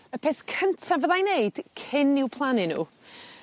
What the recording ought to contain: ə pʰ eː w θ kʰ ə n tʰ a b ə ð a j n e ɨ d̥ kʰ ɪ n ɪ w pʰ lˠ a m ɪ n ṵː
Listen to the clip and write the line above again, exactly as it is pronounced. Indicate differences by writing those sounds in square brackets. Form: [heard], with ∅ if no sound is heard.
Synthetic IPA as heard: ə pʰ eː [∅] θ kʰ ə n tʰ a [v] ə ð a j n e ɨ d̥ kʰ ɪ n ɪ w pʰ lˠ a [n] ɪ n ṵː